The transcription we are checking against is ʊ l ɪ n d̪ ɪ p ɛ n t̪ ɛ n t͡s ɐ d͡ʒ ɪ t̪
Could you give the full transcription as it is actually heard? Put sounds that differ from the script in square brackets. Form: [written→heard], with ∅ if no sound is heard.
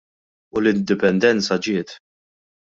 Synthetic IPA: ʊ l ɪ n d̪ ɪ p ɛ n [t̪→d̪] ɛ n t͡s ɐ d͡ʒ [ɪ→ɪː] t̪